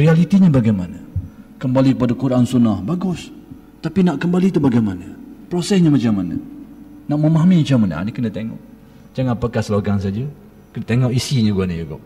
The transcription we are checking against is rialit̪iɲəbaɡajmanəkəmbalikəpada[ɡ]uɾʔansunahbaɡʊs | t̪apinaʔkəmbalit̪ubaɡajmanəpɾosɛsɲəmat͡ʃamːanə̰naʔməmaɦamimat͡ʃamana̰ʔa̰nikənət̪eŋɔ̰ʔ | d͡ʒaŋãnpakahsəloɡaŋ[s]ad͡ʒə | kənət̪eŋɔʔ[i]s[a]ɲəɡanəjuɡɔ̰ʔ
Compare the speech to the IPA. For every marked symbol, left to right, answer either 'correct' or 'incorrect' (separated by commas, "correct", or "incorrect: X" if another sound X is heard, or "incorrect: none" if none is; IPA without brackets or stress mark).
incorrect: k, correct, correct, incorrect: i